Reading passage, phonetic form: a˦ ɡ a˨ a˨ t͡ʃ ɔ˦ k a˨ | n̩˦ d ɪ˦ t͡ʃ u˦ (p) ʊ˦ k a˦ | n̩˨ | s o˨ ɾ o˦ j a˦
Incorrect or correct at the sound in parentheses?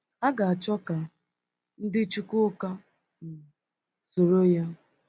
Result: incorrect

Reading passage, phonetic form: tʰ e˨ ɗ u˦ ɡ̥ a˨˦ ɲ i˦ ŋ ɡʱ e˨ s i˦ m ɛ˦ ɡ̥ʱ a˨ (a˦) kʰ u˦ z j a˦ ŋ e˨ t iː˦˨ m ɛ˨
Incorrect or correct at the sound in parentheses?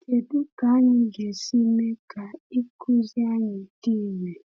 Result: incorrect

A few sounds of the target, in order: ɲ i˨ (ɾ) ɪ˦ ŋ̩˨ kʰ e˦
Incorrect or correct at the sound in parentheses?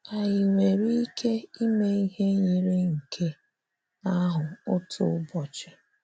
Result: correct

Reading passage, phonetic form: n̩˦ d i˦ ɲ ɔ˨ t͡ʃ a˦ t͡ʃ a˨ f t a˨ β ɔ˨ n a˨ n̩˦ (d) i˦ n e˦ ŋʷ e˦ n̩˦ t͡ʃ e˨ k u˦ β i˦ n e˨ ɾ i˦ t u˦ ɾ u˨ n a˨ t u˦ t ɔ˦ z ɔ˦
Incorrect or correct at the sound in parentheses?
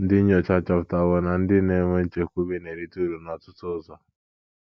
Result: correct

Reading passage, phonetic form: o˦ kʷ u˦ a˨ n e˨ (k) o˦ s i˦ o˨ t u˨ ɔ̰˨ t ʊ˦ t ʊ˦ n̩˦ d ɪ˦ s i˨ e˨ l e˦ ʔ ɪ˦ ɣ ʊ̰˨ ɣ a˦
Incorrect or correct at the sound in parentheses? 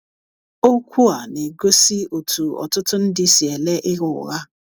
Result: incorrect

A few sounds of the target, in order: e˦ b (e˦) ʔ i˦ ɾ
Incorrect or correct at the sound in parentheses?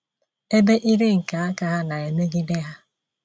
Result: correct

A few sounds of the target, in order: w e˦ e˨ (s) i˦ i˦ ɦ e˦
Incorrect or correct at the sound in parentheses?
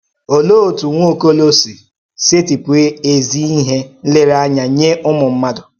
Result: incorrect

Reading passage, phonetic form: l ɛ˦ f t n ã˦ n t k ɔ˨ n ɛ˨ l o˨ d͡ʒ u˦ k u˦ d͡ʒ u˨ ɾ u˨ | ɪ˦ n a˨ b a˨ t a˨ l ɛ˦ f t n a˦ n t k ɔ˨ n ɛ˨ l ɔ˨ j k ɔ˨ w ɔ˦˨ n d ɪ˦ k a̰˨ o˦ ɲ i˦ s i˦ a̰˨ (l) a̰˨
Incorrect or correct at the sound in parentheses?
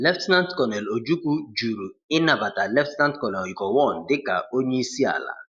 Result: correct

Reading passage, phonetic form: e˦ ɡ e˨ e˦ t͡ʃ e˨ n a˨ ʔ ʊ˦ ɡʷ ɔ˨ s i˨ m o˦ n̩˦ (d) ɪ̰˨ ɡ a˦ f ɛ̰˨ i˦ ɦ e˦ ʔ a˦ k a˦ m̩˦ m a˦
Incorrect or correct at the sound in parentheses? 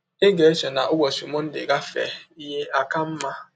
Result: correct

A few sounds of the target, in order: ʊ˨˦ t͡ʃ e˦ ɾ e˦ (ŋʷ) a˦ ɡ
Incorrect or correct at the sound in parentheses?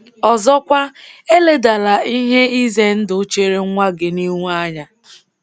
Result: correct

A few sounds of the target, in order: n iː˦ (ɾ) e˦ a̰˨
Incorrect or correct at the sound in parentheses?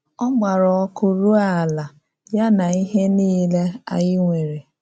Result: incorrect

